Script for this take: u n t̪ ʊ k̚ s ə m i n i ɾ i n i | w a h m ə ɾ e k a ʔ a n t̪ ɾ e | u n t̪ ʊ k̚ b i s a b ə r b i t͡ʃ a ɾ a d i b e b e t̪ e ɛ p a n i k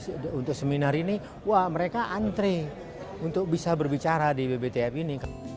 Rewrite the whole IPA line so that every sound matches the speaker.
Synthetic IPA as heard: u n t̪ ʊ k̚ s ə m i n a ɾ i n i | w a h m ə ɾ e k a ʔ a n t̪ ɾ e | u n t̪ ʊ k̚ b i s a b ə r b i t͡ʃ a ɾ a d i b e b e t̪ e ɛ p i n i k

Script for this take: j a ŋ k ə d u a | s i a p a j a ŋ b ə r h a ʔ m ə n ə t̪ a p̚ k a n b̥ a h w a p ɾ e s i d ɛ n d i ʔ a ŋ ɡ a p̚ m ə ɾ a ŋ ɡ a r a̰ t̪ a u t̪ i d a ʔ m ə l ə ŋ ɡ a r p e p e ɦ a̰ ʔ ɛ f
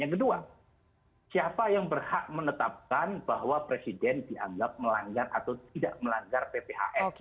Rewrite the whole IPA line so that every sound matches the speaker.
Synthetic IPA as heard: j a ŋ k ə d u a | s i a p a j a ŋ b ə r h a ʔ m ə n ə t̪ a p̚ k a n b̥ a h w a p ɾ e s i d ɛ n d i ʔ a ŋ ɡ a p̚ m ə l a ŋ ɡ a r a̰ t̪ a w t̪ i d a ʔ m ə l a ŋ ɡ a r p e p e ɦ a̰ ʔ ɛ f

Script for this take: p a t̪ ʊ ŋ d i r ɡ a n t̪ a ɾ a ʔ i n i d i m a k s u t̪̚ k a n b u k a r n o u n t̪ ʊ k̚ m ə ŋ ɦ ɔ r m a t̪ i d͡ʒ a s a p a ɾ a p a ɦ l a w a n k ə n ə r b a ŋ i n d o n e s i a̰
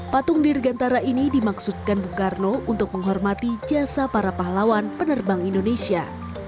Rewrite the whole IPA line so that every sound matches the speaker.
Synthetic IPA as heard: p a t̪ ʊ ŋ d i r ɡ a n t̪ a ɾ a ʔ i n i d i m a k s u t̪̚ k a n b u k a r n o u n t̪ ʊ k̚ m ə ŋ ɦ ɔ r m a t̪ i d͡ʒ a s a p a ɾ a p a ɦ l a w a n p ə n ə r b a ŋ i n d o n e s i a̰

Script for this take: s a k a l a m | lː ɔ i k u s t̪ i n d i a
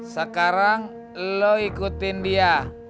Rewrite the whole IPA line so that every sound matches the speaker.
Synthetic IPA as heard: s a k a ɾ a ŋ | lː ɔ i k u t̪ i n d i a

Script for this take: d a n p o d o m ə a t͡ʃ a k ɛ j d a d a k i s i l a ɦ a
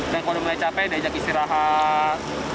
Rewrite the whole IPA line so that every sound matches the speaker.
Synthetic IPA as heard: d a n k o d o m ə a t͡ʃ a p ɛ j d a d͡ʒ a k i s i ɾ a ɦ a

